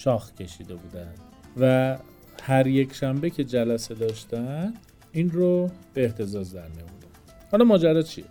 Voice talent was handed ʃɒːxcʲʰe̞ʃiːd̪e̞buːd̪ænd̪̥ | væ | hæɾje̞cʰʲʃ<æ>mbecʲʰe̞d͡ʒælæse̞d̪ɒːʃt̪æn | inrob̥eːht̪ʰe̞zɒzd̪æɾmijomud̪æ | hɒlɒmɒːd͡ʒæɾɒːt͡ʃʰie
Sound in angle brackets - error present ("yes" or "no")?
no